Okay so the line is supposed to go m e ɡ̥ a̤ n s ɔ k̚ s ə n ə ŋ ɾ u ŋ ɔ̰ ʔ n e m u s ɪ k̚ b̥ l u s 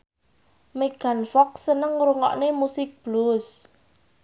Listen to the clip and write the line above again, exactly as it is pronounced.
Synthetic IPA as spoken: m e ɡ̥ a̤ n f ɔ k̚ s ə n ə ŋ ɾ u ŋ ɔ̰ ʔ n e m u s ɪ k̚ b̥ l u s